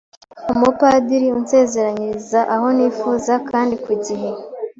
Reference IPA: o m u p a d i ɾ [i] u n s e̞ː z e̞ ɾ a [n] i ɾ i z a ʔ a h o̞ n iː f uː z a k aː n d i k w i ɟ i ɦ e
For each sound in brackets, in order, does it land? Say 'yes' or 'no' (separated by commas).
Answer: yes, no